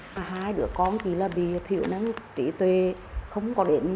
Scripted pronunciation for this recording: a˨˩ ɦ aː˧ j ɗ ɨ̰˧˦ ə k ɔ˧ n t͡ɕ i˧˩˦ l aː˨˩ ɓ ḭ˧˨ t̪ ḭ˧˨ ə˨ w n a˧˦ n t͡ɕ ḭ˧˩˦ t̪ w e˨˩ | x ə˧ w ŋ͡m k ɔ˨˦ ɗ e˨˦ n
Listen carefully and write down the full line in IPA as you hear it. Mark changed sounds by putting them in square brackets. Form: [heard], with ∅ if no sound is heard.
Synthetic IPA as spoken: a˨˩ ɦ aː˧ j ɗ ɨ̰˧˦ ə k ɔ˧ n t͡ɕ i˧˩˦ l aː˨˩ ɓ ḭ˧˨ [t̪ʰ] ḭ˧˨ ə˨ w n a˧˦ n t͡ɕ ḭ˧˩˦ t̪ w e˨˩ | x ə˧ w ŋ͡m k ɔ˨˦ ɗ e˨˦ n

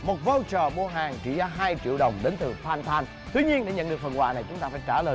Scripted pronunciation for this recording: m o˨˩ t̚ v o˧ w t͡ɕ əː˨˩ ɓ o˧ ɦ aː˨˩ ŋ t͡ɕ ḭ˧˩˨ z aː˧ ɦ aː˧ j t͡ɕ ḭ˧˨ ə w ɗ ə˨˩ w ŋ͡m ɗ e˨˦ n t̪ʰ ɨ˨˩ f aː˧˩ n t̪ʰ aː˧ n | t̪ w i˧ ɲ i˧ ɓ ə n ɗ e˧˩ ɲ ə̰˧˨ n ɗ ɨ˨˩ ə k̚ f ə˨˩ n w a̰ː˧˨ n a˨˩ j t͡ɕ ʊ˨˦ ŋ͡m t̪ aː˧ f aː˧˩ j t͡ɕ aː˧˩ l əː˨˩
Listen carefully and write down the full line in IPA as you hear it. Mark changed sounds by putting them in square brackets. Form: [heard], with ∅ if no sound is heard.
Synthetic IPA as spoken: m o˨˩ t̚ v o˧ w t͡ɕ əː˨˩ ɓ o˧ ɦ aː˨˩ ŋ t͡ɕ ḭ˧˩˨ z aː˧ ɦ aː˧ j t͡ɕ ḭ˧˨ ə w ɗ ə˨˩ w ŋ͡m ɗ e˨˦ n [t̪] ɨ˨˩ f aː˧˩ n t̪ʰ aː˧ n | t̪ w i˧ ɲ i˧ [∅] ə n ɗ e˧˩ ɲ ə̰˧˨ n ɗ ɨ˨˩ ə k̚ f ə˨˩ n w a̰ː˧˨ n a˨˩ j t͡ɕ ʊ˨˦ ŋ͡m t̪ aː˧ f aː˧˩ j t͡ɕ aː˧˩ l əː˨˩

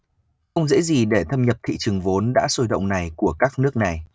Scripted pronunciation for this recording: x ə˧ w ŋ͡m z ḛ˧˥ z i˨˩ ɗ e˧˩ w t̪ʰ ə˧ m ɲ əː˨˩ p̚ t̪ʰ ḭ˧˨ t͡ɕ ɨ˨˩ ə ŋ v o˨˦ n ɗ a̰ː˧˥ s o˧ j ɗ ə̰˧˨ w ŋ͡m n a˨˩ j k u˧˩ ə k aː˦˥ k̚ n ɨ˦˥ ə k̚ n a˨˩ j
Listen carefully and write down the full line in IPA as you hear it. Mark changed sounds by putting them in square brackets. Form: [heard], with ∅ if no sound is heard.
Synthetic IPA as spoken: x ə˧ w ŋ͡m z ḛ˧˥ z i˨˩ ɗ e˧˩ [∅] t̪ʰ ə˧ m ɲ [ə˨˩] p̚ t̪ʰ ḭ˧˨ t͡ɕ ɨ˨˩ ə ŋ v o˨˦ n ɗ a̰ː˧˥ s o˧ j ɗ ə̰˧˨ w ŋ͡m n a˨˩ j k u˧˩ ə k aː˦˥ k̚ n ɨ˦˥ ə k̚ n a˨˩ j

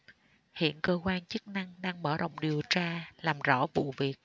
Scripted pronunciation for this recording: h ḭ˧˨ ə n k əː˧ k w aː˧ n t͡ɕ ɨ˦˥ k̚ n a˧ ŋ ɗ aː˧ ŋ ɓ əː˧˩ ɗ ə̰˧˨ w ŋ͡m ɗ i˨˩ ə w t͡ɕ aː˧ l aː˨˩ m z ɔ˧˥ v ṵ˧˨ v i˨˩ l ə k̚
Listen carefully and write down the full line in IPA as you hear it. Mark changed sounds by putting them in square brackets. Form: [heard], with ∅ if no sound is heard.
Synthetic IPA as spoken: h ḭ˧˨ ə n k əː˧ k w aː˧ n t͡ɕ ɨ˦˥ k̚ n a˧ ŋ ɗ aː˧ ŋ ɓ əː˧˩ ɗ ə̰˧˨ w ŋ͡m ɗ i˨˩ ə w t͡ɕ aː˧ l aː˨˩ m z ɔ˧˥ v ṵ˧˨ v i˨˩ [∅] ə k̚

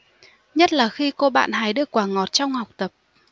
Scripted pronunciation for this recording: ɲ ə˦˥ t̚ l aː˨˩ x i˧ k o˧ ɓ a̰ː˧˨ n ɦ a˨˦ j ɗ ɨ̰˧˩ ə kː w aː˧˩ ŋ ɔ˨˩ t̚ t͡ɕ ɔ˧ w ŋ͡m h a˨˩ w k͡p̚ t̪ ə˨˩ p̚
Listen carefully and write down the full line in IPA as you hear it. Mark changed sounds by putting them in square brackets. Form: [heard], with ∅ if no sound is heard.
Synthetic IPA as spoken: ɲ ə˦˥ t̚ l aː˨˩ x i˧ k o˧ ɓ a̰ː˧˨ n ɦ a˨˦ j ɗ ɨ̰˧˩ ə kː w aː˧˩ ŋ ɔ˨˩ t̚ t͡ɕ ɔ˧ w ŋ͡m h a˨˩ w k͡p̚ t̪ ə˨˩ p̚

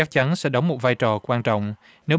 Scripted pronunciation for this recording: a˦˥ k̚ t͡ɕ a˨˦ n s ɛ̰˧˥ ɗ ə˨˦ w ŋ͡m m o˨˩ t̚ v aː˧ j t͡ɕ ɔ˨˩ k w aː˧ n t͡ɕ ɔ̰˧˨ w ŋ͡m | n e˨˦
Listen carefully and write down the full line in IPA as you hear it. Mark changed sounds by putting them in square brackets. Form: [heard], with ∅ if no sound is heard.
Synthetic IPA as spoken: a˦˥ k̚ t͡ɕ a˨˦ n s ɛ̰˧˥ ɗ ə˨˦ w ŋ͡m m o˨˩ t̚ v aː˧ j t͡ɕ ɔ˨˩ k w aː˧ n t͡ɕ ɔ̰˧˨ w ŋ͡m | n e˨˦

